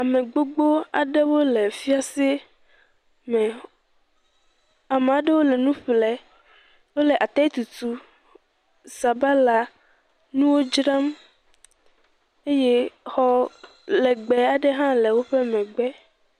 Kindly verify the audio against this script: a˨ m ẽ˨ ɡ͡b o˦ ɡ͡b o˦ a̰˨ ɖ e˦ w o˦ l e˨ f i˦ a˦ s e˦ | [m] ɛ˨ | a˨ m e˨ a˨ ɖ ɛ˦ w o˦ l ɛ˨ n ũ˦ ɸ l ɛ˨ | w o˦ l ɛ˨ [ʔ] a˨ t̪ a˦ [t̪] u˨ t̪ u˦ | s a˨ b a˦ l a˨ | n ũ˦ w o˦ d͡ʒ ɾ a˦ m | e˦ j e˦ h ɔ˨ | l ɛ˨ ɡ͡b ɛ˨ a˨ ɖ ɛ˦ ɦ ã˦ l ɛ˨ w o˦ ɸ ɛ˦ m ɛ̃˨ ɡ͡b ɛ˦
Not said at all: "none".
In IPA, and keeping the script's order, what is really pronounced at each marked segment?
m, ʔ, t̪

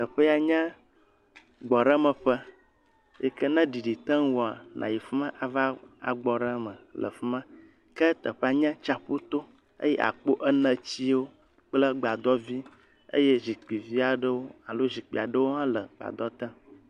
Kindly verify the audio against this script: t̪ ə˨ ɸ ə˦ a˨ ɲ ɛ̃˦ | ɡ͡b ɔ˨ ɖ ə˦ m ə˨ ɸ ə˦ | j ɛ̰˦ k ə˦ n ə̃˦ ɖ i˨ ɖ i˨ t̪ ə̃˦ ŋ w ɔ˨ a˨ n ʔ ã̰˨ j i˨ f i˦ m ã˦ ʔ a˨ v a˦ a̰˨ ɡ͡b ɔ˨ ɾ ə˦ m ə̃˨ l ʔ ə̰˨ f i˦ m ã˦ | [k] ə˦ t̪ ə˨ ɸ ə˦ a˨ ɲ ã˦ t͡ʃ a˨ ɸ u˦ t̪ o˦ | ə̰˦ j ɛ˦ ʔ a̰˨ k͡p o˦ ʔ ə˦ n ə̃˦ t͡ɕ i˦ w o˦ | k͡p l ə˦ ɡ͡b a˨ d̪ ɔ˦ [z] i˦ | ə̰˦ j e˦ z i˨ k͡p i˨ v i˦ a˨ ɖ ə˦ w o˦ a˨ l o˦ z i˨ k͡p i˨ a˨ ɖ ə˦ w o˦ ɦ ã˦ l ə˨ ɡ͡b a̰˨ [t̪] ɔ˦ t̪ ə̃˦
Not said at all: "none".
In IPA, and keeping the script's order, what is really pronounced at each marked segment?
k, v, d̪

